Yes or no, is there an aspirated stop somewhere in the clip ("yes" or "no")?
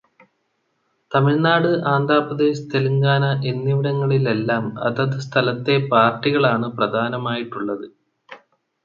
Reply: yes